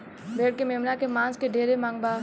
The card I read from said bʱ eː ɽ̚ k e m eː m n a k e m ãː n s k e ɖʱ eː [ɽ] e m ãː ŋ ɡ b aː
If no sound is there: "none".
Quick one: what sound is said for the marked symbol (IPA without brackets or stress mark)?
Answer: ɾ